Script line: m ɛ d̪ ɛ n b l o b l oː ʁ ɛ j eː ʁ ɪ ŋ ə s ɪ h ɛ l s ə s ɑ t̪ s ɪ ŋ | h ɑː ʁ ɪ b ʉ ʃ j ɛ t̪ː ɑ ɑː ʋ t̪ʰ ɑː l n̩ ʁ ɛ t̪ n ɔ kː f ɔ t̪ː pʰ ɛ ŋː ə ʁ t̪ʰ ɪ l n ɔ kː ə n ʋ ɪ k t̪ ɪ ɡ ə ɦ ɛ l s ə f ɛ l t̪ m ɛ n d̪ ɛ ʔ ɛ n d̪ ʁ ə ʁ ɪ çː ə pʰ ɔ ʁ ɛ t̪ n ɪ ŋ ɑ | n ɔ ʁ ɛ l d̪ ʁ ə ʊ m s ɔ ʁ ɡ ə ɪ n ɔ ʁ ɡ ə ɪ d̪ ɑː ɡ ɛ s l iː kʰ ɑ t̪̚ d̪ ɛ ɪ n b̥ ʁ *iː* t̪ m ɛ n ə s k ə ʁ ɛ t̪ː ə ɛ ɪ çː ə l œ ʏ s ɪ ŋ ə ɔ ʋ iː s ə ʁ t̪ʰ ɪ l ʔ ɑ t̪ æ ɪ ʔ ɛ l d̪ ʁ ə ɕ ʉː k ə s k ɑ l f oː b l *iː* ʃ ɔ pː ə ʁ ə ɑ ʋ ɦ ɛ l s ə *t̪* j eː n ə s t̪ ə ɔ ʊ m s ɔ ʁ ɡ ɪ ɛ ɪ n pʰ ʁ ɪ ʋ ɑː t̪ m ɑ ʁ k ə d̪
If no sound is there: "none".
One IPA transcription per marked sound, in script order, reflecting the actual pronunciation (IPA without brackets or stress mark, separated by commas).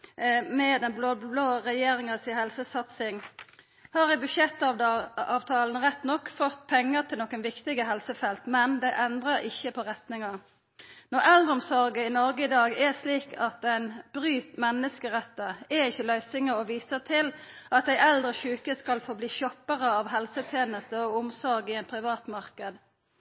yː, iː, t̪ʰ